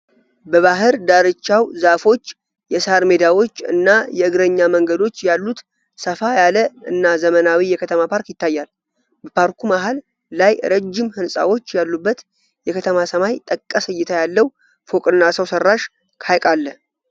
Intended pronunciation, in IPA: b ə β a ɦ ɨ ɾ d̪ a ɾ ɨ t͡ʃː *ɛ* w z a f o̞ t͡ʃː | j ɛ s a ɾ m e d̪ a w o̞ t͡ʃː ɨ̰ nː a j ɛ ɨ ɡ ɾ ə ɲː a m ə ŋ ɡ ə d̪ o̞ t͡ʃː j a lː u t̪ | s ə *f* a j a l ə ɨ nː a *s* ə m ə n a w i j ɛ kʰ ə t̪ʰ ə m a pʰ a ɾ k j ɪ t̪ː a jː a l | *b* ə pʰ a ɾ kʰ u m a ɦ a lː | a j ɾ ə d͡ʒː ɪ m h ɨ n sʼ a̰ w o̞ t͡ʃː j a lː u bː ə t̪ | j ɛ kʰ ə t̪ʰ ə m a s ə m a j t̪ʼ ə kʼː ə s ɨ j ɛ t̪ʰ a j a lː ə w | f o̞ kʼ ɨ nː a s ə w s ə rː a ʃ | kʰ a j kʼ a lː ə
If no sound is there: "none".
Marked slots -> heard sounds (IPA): a, f, z, b

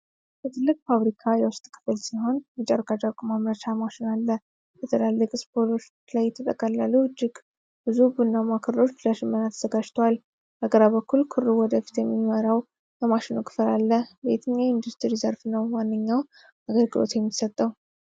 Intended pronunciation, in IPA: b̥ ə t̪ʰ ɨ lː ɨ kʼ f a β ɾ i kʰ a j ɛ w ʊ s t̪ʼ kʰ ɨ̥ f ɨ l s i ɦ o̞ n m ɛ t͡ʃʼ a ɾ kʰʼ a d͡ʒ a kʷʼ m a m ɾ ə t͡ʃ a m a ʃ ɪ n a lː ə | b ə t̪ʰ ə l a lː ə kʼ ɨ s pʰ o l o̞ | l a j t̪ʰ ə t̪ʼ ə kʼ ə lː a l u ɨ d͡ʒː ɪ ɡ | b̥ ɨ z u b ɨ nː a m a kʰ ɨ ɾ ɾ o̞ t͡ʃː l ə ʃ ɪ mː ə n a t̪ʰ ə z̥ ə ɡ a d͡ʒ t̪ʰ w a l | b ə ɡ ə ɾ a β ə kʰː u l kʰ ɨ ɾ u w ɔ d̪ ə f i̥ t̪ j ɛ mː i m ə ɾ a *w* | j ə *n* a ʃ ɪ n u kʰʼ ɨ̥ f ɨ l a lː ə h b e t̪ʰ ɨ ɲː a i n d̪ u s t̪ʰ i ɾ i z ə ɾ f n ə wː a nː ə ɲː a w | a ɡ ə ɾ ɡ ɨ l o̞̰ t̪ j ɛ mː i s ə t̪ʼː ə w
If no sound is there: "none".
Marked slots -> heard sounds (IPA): w, m

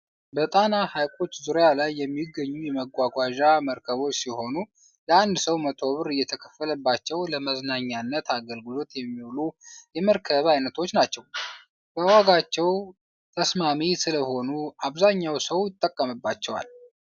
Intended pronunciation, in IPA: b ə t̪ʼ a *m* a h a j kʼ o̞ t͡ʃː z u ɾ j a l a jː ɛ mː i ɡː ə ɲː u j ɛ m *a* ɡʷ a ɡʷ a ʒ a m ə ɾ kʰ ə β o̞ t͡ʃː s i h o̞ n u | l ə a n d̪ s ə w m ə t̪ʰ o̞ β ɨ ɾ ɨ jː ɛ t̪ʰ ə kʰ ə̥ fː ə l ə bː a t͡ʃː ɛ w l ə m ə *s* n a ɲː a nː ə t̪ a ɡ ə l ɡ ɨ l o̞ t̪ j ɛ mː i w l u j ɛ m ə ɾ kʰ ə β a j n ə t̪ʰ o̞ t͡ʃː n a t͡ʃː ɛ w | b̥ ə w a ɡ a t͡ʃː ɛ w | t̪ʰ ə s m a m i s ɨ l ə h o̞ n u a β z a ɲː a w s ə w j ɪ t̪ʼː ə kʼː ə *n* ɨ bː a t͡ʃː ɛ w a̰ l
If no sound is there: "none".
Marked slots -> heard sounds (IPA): n, ə, z, m

